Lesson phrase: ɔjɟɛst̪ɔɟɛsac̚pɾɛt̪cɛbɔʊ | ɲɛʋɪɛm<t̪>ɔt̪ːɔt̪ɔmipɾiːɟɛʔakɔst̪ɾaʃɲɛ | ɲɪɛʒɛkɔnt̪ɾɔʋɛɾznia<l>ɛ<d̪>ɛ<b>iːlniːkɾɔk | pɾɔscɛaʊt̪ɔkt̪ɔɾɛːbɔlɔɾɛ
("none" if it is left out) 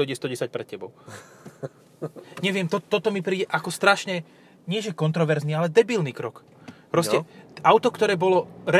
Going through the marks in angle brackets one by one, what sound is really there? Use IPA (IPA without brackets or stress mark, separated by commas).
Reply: t̪, l, d̪, b